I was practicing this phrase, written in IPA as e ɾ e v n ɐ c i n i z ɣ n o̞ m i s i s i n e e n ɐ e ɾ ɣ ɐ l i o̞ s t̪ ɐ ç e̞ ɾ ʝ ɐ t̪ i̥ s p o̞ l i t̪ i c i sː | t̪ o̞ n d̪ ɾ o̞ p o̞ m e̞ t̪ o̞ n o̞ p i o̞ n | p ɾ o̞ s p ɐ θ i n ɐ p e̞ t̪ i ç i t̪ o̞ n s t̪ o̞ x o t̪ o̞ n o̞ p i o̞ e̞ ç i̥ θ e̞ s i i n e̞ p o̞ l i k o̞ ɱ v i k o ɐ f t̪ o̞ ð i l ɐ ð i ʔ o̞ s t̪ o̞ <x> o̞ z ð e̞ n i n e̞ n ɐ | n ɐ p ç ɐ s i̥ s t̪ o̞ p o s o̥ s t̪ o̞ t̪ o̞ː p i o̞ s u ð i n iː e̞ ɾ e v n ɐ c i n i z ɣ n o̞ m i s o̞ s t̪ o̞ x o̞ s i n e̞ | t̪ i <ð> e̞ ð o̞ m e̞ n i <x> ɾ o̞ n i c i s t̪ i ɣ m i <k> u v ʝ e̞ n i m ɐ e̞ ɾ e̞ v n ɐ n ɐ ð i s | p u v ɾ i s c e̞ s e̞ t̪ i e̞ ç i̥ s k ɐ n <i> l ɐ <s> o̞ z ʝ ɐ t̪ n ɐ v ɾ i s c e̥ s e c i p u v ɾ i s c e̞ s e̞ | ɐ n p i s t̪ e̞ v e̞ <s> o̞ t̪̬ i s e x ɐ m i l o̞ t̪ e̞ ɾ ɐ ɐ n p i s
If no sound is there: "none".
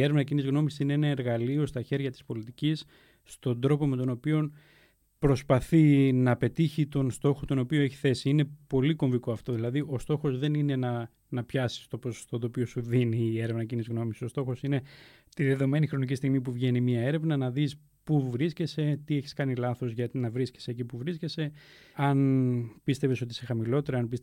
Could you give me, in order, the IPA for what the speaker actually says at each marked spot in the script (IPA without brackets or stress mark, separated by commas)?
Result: x, ð, x, p, i, θ, s